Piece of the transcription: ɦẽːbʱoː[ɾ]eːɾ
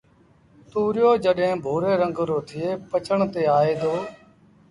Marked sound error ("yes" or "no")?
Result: no